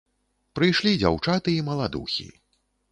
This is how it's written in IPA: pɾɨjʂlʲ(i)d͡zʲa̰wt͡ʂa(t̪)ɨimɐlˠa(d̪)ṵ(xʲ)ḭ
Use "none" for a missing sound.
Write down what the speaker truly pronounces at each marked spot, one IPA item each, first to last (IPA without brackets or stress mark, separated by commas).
i, t̪, d̪, xʲ